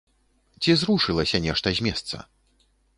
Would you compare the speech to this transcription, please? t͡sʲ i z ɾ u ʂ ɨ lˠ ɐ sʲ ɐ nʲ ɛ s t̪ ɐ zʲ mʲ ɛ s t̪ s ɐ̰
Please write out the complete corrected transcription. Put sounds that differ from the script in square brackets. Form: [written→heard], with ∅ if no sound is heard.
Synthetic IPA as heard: t͡sʲ i z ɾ u ʂ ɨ lˠ ɐ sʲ ɐ nʲ ɛ [s→ʂ] t̪ ɐ zʲ mʲ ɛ s t̪ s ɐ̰

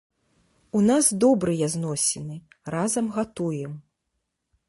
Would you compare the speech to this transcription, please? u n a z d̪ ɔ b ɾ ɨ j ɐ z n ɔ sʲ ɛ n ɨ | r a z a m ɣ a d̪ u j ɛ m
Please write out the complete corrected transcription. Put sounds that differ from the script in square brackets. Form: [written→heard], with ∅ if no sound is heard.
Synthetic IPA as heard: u n a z d̪ ɔ b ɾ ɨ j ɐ z n ɔ sʲ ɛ n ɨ | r a z [a→ɐ] m ɣ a [d̪→t̪] u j ɛ m

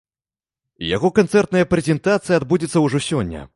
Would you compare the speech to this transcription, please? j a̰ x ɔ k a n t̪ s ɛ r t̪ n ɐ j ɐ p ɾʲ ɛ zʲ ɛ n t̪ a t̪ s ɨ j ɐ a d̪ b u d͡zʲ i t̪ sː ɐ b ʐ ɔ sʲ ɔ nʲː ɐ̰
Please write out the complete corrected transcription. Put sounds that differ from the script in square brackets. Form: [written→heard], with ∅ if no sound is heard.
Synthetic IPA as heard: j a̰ [x→ɣ] ɔ k a n t̪ s ɛ r t̪ n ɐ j ɐ p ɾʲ ɛ zʲ ɛ n t̪ a t̪ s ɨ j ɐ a d̪ b u d͡zʲ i t̪ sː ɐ [b→w] ʐ ɔ sʲ ɔ nʲː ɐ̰

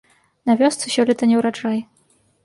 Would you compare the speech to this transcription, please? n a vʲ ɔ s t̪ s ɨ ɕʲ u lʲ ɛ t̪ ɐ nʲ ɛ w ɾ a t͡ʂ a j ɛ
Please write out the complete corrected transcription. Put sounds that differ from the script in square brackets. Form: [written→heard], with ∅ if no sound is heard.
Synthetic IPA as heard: n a vʲ ɔ s t̪ s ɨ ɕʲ [u→ɔ] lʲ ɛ t̪ ɐ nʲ ɛ w ɾ a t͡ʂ a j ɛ

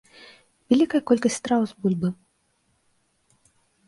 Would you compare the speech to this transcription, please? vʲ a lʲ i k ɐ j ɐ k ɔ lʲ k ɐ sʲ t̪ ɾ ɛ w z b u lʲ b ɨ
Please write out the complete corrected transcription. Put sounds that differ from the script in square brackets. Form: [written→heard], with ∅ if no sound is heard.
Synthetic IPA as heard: vʲ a lʲ i k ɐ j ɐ k ɔ lʲ k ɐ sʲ t̪ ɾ [ɛ→a] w z b u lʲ b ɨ

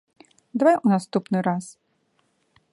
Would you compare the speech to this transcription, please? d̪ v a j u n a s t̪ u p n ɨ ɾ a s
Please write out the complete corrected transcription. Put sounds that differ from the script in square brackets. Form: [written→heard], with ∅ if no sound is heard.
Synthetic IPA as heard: d̪ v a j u n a s t̪ u p n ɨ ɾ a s

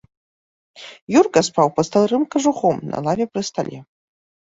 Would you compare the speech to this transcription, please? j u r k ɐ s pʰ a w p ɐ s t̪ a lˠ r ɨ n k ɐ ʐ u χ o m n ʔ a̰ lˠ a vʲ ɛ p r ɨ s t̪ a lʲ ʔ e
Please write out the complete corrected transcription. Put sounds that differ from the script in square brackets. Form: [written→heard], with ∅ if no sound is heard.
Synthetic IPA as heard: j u r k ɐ s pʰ a w p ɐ s t̪ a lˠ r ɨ [n→m] k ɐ ʐ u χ o m n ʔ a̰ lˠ a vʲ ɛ p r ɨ s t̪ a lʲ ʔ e

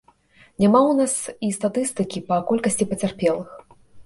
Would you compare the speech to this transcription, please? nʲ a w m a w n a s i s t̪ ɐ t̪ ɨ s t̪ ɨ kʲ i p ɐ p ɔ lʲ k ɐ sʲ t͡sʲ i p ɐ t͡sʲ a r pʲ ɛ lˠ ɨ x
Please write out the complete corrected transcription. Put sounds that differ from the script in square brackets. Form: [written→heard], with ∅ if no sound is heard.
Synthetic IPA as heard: nʲ a [w→∅] m a w n a s i s t̪ [ɐ→a] t̪ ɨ s t̪ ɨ kʲ i p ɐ [p→k] ɔ lʲ k ɐ sʲ t͡sʲ i p ɐ t͡sʲ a r pʲ ɛ lˠ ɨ x

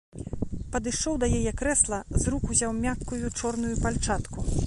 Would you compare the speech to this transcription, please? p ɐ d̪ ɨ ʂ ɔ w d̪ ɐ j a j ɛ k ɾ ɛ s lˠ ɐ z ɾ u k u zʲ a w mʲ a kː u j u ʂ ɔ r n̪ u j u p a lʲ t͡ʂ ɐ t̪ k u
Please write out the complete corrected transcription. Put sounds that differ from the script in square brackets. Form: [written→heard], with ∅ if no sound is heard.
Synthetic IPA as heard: p ɐ d̪ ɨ ʂ ɔ w d̪ ɐ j a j ɛ k ɾ ɛ s lˠ ɐ z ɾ u k u zʲ a w mʲ a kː u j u [ʂ→t͡ʂ] ɔ r n̪ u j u p a lʲ t͡ʂ [ɐ→a] t̪ k u

